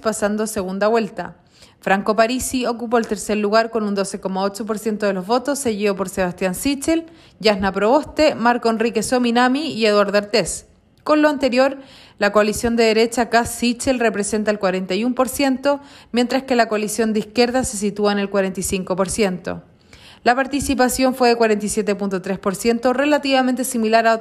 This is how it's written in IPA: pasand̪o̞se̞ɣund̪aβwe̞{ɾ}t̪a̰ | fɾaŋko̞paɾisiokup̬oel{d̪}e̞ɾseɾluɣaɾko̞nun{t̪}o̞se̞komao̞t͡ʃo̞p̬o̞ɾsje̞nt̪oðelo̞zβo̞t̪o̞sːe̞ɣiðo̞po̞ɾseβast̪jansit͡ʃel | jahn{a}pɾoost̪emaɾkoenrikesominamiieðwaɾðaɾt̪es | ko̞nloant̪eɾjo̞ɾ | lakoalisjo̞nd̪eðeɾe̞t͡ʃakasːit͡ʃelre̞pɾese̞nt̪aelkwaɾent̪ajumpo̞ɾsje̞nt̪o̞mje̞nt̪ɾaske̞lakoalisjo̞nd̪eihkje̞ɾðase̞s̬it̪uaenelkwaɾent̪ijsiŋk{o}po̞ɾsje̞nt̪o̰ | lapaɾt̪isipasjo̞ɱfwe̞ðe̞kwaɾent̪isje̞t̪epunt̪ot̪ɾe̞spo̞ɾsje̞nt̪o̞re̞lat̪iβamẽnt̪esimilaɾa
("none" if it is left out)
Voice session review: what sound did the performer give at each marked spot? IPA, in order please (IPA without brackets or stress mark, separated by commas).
l, t̪, d̪, a, o